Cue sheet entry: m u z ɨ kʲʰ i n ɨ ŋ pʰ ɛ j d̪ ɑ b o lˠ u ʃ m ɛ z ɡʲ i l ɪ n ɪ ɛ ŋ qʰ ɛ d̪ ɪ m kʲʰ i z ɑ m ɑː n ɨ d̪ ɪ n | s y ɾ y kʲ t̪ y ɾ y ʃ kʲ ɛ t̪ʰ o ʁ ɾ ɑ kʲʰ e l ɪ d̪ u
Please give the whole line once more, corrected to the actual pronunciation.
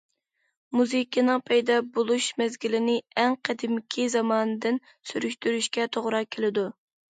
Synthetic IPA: m u z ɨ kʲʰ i n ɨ ŋ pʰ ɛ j d̪ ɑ b o lˠ u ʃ m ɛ z ɡʲ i l ɪ n ɪ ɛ ŋ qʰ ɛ d̪ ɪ m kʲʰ i z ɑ m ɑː n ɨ d̪ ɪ n | s y ɾ y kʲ t̪ y ɾ y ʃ kʲ ɛ t̪ʰ o ʁ ɾ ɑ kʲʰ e l ɪ d̪ u